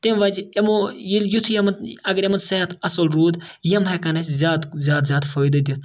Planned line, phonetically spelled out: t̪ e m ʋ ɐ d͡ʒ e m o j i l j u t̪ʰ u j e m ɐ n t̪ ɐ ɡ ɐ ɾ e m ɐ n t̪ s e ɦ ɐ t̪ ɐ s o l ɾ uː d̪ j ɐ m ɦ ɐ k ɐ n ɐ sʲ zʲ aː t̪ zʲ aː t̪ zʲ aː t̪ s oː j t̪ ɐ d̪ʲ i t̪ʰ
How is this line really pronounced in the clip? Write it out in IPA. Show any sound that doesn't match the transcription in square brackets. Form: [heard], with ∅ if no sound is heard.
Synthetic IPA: t̪ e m ʋ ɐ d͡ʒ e m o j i l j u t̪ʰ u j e m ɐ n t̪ ɐ ɡ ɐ ɾ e m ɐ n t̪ s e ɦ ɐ t̪ ɐ s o l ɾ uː d̪ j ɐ m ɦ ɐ k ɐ n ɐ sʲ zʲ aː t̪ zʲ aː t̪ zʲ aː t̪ [f] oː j [d̪] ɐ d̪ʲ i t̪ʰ